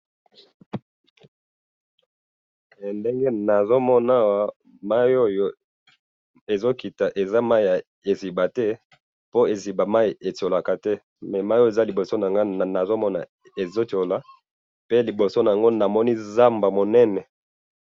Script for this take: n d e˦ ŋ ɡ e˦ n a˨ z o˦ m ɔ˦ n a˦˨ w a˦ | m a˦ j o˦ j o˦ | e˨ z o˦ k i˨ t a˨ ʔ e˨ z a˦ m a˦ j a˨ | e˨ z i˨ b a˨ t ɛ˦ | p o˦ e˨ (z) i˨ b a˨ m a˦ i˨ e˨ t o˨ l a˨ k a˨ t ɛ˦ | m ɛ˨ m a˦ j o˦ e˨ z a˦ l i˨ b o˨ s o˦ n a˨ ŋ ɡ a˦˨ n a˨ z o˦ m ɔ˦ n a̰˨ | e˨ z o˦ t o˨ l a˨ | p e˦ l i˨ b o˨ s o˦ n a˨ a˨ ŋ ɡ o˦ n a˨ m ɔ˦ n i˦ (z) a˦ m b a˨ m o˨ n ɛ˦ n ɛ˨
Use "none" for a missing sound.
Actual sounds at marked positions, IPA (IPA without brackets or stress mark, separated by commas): z, z